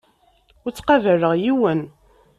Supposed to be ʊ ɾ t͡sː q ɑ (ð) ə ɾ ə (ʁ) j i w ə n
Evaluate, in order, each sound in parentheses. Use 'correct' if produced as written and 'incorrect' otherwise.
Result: incorrect, correct

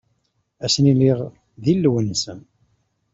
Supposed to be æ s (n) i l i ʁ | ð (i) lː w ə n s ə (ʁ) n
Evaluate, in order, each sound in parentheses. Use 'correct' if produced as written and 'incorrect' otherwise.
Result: correct, correct, incorrect

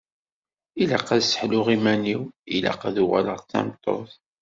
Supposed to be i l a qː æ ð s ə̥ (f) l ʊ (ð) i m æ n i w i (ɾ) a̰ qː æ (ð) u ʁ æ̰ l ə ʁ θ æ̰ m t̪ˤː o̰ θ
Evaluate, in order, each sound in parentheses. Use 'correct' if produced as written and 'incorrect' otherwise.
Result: incorrect, incorrect, incorrect, correct

